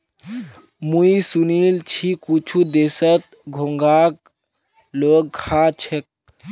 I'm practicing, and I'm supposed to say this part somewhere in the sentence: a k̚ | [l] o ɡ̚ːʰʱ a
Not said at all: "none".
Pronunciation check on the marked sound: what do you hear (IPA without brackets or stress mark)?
l